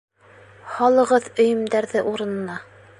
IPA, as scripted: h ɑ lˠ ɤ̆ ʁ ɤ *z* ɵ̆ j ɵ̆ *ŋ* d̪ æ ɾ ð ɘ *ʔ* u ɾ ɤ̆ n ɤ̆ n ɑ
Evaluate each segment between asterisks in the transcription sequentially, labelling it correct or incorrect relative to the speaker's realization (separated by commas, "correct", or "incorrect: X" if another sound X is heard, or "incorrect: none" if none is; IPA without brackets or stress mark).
incorrect: ð, incorrect: m, correct